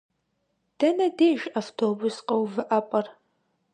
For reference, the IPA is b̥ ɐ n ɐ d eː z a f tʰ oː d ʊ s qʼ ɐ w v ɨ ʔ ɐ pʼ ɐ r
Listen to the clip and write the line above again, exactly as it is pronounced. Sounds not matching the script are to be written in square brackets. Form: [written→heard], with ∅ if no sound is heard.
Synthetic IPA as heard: [b̥→d̥] ɐ n ɐ d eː [z→ʒ] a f tʰ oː [d→b] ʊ s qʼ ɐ w v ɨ ʔ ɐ pʼ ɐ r